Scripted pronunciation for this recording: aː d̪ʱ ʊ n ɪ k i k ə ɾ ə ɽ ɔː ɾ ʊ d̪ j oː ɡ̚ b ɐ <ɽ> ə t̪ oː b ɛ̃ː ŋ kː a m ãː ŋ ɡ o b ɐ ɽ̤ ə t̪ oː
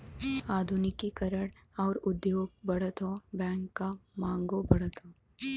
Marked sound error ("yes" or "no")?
no